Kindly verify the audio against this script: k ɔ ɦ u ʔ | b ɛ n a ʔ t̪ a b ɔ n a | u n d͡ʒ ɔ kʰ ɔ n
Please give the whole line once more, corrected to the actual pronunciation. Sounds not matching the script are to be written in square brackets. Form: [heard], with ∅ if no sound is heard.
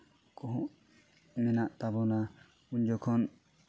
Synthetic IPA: k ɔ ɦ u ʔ | [m] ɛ n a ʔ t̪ a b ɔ n a | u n d͡ʒ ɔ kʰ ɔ n